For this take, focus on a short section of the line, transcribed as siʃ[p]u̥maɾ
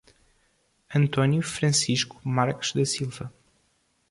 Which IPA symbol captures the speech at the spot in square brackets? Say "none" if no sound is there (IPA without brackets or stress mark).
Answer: k